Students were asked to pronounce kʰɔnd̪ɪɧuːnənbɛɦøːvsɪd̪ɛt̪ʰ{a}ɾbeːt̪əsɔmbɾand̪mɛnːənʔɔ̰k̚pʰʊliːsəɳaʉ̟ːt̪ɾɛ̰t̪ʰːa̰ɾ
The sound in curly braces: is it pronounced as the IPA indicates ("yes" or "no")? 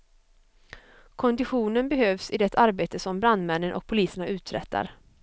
yes